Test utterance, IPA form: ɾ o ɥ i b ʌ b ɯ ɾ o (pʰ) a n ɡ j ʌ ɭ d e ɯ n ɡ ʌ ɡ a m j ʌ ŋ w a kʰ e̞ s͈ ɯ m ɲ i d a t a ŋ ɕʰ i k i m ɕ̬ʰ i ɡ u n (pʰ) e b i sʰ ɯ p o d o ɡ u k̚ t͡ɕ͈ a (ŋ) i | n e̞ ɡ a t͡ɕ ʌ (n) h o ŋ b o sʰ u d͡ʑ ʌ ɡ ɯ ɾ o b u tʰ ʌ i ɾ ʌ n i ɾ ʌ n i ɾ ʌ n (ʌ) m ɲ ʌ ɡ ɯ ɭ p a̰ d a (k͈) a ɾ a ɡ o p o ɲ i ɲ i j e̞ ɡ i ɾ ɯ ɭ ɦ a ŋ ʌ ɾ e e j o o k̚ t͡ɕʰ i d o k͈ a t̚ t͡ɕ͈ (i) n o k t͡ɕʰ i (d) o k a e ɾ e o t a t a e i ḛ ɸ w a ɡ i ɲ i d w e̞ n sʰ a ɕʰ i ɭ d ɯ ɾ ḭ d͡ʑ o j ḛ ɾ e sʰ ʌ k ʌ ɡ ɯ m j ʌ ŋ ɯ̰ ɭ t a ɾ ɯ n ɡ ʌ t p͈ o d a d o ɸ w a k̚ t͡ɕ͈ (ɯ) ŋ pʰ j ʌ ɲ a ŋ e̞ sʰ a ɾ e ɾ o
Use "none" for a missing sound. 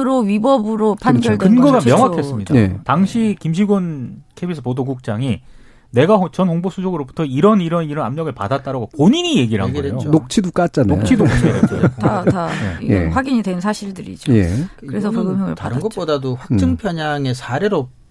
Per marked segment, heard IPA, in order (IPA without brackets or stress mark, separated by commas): pʰ, kʰ, ŋ, n, a, t͈, a, d, ɯ